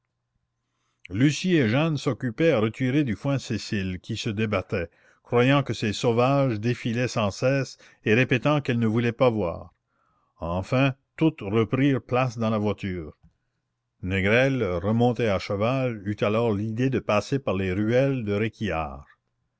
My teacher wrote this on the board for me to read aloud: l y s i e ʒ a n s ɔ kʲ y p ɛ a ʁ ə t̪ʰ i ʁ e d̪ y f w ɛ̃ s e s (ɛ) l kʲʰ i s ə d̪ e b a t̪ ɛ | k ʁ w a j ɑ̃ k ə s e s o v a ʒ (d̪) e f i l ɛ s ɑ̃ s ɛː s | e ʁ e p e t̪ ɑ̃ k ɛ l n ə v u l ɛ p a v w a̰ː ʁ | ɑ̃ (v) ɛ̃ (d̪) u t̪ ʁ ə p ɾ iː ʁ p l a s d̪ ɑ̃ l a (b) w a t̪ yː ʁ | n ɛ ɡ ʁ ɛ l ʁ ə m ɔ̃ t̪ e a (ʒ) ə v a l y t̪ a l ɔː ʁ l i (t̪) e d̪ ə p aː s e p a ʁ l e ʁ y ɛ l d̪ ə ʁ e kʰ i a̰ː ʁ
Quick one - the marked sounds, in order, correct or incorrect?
incorrect, correct, incorrect, incorrect, incorrect, incorrect, incorrect

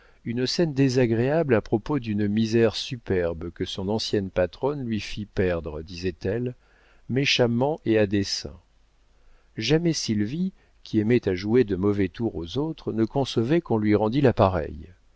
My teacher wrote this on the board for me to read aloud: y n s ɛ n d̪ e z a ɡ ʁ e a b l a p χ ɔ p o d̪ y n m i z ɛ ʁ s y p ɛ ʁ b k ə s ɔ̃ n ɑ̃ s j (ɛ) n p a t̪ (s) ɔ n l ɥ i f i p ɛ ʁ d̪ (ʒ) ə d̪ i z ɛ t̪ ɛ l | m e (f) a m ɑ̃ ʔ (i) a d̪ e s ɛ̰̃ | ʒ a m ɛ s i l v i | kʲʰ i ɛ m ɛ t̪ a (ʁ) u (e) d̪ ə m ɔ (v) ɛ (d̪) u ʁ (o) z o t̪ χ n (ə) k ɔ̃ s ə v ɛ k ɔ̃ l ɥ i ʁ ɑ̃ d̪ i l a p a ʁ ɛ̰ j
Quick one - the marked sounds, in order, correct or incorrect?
correct, incorrect, incorrect, incorrect, incorrect, incorrect, correct, correct, incorrect, correct, correct

